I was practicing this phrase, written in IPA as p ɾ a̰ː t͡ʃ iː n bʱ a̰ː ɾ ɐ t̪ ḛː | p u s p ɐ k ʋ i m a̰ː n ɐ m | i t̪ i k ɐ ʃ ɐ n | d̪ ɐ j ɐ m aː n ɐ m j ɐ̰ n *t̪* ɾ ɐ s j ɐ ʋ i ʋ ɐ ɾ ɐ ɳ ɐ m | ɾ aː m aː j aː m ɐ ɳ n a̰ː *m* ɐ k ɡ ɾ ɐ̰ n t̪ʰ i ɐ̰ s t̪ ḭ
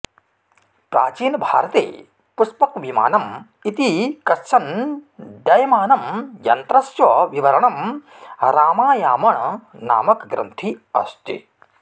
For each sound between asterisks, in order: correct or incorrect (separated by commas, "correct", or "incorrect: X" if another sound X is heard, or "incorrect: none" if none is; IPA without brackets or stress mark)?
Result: correct, correct